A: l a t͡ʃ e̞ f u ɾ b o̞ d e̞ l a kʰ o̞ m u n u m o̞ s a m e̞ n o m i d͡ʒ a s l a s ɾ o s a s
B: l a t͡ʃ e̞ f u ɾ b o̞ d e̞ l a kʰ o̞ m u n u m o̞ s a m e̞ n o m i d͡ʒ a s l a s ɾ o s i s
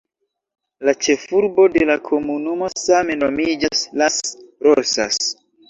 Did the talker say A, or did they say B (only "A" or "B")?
A